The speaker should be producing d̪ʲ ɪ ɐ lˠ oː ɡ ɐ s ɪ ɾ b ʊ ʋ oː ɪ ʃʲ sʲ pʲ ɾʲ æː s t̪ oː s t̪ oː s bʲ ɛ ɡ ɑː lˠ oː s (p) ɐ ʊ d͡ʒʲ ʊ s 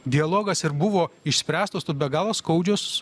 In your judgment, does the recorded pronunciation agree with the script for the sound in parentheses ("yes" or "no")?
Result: no